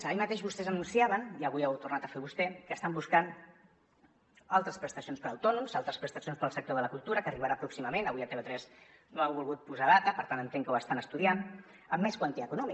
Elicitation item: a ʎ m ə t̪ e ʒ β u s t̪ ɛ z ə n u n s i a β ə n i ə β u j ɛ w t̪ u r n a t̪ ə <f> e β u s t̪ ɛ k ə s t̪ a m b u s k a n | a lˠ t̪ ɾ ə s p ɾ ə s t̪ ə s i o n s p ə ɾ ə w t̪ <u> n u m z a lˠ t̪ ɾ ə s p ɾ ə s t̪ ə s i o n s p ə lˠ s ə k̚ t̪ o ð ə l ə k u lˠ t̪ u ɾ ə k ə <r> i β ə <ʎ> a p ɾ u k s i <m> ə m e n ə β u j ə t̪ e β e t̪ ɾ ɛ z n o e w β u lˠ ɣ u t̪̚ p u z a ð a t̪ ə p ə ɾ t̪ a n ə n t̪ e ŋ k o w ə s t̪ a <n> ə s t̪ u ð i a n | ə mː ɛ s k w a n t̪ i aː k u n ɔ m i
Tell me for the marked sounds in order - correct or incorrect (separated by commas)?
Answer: correct, incorrect, correct, incorrect, correct, correct